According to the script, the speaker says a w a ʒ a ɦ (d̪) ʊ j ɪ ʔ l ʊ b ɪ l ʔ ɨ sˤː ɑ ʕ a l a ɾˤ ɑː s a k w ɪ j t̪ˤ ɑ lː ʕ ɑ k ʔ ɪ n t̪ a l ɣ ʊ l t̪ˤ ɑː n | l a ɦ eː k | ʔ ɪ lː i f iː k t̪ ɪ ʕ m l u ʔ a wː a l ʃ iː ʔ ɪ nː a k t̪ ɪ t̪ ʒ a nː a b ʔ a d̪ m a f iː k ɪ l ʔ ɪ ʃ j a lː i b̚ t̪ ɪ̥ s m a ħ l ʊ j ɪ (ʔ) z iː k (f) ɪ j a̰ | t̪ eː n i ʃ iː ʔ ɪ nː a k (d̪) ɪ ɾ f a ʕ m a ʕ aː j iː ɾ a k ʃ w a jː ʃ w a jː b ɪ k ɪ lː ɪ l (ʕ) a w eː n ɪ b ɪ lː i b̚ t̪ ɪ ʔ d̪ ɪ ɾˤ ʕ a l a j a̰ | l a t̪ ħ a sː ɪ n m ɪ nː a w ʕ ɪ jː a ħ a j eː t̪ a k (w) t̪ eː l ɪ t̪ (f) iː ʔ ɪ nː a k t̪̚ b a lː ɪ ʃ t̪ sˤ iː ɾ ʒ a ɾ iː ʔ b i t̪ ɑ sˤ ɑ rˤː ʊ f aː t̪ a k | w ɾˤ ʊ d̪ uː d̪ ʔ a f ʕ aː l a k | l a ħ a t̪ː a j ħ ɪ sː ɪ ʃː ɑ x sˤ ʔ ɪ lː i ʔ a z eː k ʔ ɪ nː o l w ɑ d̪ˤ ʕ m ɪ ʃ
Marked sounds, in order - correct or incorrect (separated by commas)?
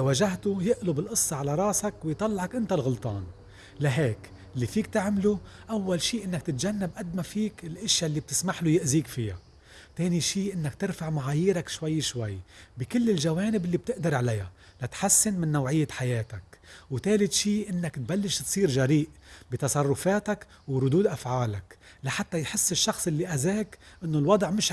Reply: incorrect, correct, correct, incorrect, incorrect, correct, incorrect